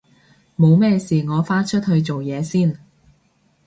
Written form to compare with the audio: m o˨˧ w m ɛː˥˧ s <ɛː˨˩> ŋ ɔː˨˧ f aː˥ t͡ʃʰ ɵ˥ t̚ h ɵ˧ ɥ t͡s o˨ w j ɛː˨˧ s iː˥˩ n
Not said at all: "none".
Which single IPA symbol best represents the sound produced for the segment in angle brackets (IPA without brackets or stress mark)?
iː˨˩